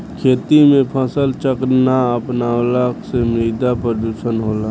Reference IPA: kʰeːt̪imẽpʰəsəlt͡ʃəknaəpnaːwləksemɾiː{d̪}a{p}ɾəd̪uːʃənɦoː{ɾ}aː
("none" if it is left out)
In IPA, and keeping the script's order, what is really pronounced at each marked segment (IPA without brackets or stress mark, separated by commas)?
d̪, p, l